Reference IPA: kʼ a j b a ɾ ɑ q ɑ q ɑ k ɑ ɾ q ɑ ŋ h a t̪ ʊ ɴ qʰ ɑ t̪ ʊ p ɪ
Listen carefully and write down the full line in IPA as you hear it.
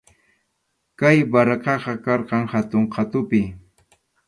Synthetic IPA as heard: k a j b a ɾ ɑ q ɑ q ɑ k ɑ ɾ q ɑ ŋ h a t̪ ʊ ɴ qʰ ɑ t̪ ʊ p ɪ